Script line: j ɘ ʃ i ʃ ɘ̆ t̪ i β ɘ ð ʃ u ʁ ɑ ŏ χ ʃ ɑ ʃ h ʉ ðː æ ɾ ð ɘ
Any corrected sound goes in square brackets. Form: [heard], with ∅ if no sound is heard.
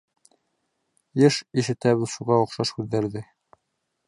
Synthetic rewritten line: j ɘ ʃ i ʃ ɘ̆ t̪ [æ] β ɘ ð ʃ u ʁ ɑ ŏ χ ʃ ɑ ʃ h ʉ ðː æ ɾ ð ɘ